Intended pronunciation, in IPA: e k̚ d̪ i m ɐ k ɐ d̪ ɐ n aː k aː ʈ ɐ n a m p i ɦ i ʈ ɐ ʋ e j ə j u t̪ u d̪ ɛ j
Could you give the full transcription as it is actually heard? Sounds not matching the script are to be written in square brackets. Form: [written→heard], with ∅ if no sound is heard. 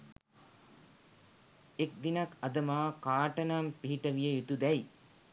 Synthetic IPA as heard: e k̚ d̪ i [m→n] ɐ k ɐ d̪ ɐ [n→m] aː k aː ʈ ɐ n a m p i ɦ i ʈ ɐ ʋ [e→i] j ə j u t̪ u d̪ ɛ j